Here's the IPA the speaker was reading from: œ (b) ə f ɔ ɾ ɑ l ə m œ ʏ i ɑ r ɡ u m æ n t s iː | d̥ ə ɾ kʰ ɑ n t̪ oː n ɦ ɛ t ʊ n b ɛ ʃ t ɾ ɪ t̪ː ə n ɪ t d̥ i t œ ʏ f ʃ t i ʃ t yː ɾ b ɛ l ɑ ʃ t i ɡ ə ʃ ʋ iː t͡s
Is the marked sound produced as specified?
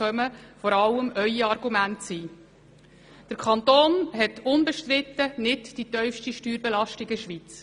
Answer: no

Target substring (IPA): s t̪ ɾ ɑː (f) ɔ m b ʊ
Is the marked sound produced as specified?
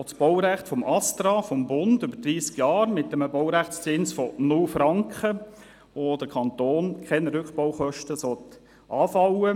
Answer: yes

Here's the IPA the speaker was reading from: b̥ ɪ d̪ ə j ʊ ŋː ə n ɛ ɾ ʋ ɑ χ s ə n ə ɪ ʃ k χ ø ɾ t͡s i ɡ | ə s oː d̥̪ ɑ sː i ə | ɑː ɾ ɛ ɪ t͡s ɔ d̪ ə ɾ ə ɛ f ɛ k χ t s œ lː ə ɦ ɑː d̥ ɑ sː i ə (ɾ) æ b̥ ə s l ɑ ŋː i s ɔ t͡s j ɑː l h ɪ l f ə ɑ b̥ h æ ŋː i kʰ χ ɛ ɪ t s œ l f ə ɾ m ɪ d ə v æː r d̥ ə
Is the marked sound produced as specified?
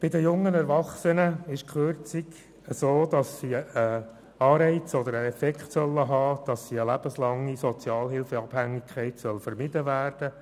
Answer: no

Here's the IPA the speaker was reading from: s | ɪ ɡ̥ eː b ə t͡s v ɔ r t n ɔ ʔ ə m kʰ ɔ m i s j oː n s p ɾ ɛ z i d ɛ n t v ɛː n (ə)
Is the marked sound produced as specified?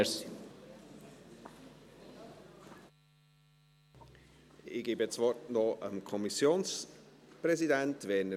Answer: yes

